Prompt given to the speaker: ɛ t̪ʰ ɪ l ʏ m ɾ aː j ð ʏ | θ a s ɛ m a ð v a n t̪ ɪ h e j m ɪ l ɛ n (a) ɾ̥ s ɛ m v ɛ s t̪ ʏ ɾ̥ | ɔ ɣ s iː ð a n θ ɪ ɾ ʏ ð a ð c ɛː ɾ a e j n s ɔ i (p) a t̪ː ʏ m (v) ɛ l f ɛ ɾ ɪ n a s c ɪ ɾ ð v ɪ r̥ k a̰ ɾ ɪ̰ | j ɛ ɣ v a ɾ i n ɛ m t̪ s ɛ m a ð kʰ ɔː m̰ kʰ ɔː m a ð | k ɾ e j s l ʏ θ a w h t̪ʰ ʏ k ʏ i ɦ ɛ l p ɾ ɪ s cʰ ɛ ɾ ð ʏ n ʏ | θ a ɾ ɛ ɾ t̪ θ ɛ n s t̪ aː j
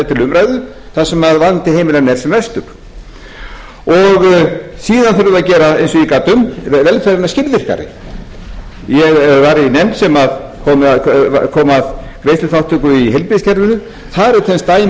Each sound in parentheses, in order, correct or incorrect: incorrect: ɛ, incorrect: k, correct

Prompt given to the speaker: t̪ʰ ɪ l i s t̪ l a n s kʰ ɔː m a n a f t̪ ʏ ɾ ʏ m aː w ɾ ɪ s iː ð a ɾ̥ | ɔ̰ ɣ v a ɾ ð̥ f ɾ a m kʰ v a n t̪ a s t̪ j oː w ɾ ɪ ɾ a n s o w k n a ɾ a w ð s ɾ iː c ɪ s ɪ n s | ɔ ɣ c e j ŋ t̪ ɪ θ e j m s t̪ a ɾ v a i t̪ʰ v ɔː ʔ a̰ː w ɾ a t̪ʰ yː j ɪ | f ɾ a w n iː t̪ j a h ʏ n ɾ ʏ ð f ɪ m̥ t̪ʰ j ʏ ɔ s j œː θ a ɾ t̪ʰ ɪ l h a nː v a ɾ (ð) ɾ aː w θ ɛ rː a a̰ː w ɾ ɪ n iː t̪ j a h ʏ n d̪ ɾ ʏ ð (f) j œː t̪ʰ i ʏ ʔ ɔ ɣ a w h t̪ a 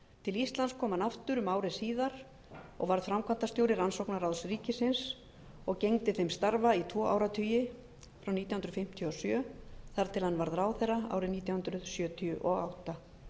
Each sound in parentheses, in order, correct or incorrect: correct, incorrect: s

